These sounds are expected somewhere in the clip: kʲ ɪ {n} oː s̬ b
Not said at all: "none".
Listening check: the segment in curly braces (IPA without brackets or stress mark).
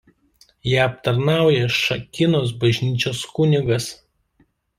n